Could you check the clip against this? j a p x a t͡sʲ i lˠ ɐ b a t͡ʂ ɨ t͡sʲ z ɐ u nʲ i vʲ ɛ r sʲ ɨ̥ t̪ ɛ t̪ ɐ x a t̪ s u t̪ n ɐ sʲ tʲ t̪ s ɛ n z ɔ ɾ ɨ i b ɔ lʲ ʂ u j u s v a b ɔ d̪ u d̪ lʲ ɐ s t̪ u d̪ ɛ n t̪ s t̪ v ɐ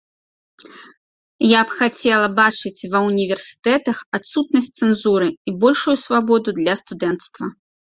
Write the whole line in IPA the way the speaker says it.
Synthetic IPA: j a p x a t͡sʲ ɛ lˠ ɐ b a t͡ʂ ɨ t͡sʲ v ɐ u nʲ i vʲ ɛ r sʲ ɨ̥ t̪ ɛ t̪ ɐ x a t̪ s u t̪ n ɐ sʲ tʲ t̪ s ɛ n z u ɾ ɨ i b ɔ lʲ ʂ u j u s v a b ɔ d̪ u d̪ lʲ ɐ s t̪ u d̪ ɛ n t̪ s t̪ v ɐ